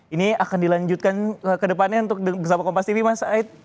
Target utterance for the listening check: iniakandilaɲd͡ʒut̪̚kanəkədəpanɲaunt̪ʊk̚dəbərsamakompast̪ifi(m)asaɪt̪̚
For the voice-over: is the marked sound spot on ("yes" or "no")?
yes